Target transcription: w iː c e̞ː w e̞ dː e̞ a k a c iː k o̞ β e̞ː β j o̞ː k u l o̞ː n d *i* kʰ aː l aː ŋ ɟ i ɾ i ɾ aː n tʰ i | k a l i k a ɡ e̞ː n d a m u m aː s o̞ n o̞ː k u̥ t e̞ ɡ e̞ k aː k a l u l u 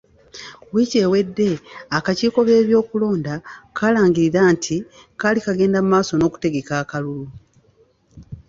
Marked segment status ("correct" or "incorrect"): incorrect